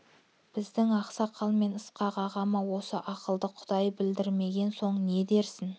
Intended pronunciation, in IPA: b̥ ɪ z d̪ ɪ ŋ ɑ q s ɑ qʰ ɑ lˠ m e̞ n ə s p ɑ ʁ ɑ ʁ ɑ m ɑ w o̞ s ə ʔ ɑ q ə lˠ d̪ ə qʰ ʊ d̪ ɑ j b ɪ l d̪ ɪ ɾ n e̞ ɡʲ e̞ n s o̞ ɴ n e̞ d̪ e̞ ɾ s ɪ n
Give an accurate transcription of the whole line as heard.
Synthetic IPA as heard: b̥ ɪ z d̪ ɪ ŋ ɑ q s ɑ qʰ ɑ lˠ m e̞ n ə s q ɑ ʁ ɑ ʁ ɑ m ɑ w o̞ s ə ʔ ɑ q ə lˠ d̪ ə qʰ ʊ d̪ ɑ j b ɪ l d̪ ɪ ɾ m e̞ ɡʲ e̞ n s o̞ ɴ n e̞ d̪ e̞ ɾ s ɪ n